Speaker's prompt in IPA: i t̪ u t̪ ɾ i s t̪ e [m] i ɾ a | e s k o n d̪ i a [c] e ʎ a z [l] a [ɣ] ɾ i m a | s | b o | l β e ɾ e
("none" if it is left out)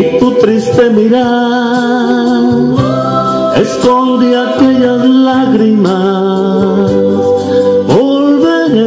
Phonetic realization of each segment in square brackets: m, k, l, ɣ

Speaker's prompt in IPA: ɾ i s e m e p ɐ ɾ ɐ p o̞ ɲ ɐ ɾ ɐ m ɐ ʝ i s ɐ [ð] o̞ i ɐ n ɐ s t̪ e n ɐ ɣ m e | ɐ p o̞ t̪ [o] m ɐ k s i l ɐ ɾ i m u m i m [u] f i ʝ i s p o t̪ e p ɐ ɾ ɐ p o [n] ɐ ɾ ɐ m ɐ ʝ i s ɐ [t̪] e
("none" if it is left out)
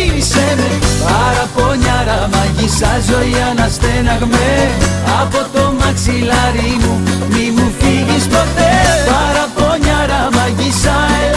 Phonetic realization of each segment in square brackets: z, o, u, ɲ, none

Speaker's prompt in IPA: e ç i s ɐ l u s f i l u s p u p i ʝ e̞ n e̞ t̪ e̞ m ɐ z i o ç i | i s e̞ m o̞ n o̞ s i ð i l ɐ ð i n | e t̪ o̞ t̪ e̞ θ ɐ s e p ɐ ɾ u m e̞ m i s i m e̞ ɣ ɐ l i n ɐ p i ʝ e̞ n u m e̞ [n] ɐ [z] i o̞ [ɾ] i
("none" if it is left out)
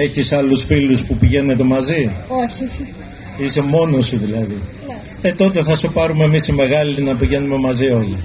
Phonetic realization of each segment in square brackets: m, z, l

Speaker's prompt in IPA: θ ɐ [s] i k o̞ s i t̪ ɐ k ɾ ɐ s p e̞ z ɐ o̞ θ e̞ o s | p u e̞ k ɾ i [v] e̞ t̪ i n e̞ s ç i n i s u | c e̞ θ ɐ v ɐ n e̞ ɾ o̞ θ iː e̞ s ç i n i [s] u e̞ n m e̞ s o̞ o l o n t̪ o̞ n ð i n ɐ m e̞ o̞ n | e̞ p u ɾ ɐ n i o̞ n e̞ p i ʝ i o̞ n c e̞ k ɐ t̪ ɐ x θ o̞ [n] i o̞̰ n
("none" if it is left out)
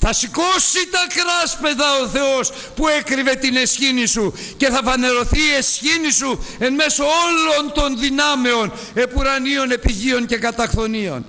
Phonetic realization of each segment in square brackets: s, v, s, n

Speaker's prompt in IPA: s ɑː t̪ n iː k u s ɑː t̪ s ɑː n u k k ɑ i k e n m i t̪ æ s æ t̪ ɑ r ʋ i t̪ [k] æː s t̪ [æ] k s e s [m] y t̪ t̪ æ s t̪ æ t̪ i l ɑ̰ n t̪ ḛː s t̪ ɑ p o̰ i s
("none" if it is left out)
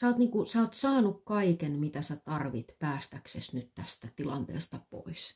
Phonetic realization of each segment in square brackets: p, æ, n

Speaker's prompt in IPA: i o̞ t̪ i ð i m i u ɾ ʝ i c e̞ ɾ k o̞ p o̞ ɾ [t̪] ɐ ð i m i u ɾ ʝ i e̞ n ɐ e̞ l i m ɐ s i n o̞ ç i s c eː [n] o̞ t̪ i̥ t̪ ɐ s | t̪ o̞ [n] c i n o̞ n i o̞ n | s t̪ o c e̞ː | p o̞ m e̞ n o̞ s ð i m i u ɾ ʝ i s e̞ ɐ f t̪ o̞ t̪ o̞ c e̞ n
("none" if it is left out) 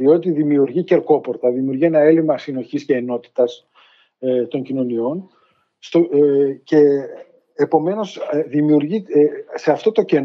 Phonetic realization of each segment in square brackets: t̪, n, ɲ

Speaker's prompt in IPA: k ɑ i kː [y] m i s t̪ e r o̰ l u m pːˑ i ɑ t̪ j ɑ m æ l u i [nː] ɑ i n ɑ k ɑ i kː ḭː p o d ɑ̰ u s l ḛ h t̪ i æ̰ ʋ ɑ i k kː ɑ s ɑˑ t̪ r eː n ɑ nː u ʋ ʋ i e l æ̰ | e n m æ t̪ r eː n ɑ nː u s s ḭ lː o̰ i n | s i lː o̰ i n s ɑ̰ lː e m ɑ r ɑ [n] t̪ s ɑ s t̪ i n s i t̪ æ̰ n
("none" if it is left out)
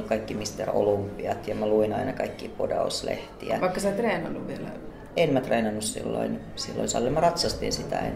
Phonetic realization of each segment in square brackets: i, n, none

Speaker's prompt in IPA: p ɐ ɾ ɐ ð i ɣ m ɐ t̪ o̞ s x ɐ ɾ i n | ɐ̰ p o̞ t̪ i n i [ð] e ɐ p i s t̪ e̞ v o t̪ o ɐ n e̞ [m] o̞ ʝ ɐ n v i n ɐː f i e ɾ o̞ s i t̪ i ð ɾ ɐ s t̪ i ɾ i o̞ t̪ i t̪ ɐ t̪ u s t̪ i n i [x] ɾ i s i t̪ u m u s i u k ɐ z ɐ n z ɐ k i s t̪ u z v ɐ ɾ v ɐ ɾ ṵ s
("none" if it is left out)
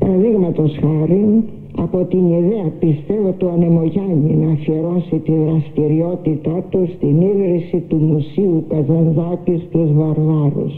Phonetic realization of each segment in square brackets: ð, m, ɣ

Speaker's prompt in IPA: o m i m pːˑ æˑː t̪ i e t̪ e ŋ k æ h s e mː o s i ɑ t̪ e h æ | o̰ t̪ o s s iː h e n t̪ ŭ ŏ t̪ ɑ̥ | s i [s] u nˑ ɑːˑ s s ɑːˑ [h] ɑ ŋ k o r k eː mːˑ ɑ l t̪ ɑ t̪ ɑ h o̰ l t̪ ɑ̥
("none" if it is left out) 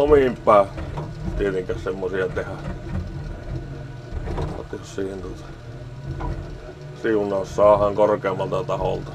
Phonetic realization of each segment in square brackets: none, h

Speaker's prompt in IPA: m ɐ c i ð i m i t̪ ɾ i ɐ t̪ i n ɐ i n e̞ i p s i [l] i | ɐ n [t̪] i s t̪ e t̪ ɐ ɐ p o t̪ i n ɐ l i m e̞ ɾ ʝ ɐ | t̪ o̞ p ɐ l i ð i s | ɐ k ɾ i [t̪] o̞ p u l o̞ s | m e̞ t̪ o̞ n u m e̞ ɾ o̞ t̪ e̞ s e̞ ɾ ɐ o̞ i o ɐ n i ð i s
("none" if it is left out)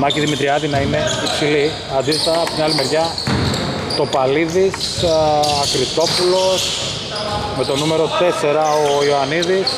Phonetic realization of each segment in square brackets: l, d̪, t̪

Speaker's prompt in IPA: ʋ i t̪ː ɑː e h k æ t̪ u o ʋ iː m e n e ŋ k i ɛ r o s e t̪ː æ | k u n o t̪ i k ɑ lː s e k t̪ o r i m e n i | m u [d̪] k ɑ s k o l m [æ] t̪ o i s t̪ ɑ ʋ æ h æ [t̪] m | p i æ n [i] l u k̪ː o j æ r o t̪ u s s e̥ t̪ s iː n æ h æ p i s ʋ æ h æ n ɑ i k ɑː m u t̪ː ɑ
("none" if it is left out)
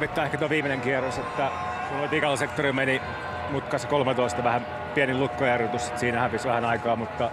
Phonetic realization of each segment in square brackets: t̪, e, none, i

